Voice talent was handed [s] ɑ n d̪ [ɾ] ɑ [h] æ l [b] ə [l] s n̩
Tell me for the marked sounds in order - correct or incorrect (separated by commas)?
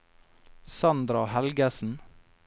correct, correct, correct, incorrect, incorrect